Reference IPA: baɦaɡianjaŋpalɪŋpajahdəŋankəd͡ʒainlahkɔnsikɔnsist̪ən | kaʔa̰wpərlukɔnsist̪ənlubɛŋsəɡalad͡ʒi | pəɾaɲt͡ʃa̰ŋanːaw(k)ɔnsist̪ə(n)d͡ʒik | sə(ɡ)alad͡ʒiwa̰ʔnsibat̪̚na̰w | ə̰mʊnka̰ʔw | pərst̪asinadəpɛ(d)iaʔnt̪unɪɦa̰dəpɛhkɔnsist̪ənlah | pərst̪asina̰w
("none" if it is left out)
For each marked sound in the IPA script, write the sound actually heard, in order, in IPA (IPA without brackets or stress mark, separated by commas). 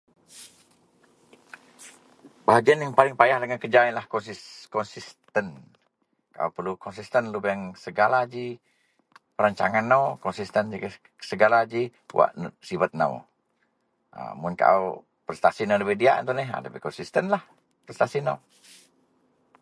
k, n, ɡ, d